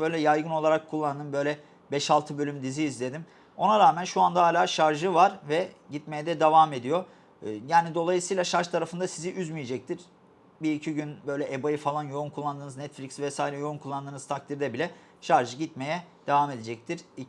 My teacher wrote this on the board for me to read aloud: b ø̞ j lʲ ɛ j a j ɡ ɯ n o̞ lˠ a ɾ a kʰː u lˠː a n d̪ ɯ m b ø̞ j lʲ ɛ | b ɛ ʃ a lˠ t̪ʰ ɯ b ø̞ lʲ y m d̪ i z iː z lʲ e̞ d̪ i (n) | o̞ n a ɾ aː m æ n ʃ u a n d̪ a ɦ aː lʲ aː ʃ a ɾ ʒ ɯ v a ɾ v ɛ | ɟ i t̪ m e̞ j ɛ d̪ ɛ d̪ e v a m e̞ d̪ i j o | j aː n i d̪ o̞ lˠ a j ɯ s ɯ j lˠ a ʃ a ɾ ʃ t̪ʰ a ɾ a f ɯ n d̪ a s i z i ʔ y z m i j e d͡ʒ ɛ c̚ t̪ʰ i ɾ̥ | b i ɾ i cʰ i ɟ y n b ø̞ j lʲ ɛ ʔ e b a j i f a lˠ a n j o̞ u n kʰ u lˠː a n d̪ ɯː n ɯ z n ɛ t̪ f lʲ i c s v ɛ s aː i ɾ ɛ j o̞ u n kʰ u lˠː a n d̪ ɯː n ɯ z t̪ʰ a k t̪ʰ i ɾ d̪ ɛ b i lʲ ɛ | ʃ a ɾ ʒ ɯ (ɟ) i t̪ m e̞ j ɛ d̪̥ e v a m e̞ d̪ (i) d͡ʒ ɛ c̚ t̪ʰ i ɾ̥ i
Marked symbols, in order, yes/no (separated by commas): no, yes, no